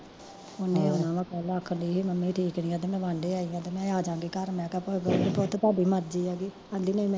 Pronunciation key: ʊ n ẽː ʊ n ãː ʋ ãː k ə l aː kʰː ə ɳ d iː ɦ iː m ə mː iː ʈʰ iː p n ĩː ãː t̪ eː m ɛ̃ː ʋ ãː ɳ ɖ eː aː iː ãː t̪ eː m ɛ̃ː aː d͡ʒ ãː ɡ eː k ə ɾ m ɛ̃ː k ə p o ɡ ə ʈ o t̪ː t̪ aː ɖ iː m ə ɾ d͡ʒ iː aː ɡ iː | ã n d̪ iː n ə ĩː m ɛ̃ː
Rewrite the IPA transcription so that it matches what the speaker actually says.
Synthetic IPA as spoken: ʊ n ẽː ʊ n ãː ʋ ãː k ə l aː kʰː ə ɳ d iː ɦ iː m ə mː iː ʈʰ iː k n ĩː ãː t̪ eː m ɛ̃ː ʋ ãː ɳ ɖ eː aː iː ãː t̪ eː m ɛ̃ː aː d͡ʒ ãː ɡ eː k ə ɾ m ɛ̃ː k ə p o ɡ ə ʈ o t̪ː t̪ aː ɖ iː m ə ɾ d͡ʒ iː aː ɡ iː | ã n d̪ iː n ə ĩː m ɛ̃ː